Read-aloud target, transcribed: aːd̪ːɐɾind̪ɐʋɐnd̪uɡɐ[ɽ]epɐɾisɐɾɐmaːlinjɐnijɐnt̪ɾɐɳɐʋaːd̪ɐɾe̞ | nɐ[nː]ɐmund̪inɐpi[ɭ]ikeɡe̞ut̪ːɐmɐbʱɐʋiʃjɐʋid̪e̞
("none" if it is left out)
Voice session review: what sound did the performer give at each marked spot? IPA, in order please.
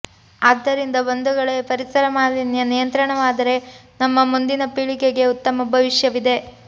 ɭ, mː, ɭ

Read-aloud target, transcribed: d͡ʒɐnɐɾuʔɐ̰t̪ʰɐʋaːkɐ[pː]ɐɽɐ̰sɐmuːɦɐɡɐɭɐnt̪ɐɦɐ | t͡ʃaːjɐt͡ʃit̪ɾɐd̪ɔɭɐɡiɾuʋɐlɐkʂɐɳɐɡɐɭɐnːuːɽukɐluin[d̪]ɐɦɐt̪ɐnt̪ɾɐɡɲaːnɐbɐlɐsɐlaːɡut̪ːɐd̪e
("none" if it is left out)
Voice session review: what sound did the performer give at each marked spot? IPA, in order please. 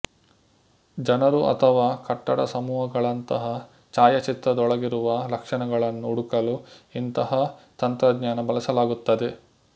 ʈː, t̪

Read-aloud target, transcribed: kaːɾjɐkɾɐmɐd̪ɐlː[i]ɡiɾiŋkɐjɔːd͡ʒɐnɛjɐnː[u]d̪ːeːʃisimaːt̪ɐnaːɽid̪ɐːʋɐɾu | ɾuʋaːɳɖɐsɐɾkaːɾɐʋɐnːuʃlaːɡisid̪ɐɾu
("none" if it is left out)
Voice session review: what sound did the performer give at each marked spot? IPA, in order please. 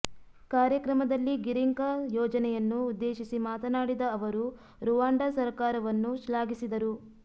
i, uː

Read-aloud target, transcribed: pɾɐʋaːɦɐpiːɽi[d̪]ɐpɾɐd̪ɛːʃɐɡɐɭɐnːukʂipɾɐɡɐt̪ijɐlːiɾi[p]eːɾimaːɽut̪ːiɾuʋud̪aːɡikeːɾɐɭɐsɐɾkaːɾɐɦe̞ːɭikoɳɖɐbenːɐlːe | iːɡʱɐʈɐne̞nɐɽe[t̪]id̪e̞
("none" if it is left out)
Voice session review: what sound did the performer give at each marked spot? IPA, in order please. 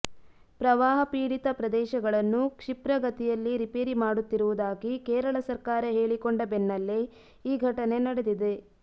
t̪, p, d̪

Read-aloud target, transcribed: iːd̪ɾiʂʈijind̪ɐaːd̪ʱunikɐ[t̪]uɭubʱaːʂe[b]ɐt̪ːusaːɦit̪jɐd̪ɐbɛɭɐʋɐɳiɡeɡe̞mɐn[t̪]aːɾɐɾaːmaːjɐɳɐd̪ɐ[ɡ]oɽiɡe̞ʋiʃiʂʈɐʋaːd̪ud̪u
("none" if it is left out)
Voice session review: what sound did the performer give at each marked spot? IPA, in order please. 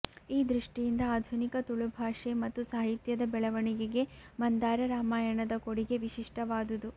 t̪, m, d̪, k

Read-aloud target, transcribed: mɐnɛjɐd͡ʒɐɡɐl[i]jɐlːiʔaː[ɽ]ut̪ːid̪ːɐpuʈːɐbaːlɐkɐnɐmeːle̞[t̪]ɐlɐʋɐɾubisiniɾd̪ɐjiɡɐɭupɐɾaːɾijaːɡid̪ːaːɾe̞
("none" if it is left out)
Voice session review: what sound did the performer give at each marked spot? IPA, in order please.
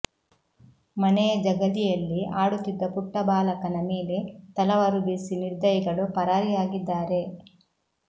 i, ɽ, t̪

